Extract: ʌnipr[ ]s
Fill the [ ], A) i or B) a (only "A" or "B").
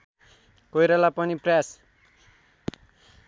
B